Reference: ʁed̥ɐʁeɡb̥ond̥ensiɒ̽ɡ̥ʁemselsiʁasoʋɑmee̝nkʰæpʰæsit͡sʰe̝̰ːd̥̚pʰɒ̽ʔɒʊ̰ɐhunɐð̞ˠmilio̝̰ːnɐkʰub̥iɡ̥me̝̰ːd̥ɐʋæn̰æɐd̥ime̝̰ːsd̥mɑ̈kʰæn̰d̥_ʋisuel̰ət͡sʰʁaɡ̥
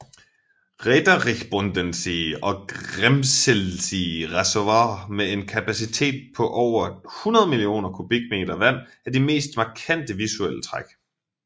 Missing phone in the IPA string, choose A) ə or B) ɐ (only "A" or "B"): A